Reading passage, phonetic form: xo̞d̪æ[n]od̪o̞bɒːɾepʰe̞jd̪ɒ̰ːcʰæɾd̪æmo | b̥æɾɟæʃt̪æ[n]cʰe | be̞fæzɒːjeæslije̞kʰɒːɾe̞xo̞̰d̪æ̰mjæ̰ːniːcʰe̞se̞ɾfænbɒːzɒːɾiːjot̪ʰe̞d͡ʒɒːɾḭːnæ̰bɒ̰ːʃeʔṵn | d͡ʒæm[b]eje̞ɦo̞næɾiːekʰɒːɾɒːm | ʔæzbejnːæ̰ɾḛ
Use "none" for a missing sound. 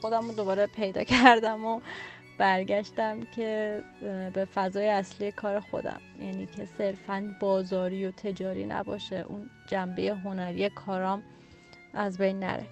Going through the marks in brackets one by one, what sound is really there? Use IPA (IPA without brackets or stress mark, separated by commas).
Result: m, m, b